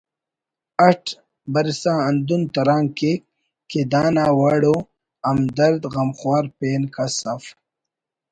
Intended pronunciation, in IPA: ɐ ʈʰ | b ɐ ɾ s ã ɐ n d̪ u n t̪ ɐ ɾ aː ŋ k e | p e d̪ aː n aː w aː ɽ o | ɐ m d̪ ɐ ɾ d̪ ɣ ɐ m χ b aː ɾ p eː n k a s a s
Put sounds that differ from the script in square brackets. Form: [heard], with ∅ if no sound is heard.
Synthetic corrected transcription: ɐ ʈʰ | b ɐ ɾ s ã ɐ n d̪ u n t̪ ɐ ɾ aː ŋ k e | [k] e d̪ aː n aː w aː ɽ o | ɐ m d̪ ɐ ɾ d̪ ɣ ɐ m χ [w] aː ɾ p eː n k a s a [f]